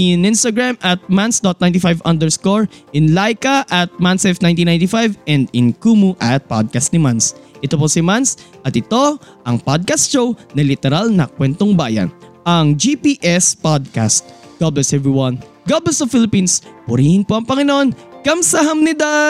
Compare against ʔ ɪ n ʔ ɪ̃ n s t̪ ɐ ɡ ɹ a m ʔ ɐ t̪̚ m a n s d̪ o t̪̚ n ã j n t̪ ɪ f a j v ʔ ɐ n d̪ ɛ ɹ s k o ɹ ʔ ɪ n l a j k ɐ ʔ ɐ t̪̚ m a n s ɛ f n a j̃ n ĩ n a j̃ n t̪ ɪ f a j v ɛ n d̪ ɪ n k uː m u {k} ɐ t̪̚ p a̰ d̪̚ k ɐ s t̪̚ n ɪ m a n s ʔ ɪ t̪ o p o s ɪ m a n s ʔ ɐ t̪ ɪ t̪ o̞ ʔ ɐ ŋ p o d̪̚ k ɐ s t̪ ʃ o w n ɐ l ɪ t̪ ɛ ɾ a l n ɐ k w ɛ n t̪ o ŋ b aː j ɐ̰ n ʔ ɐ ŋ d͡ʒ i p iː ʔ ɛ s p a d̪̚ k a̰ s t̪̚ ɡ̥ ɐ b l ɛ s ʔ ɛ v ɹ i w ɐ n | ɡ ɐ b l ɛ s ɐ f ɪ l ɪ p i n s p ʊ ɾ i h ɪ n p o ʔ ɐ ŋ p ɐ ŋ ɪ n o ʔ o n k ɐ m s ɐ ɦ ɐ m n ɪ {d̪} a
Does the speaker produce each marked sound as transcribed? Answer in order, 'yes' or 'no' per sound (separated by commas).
no, yes